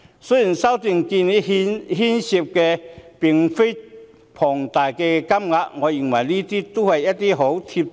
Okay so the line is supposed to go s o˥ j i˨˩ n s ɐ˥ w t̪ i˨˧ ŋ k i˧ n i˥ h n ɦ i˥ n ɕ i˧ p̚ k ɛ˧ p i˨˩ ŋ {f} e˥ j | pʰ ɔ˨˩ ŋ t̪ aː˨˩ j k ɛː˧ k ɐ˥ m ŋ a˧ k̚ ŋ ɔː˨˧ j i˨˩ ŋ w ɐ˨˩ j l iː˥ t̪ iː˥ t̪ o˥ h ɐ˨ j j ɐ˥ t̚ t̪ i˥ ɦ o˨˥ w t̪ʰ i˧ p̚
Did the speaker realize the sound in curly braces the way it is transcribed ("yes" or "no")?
yes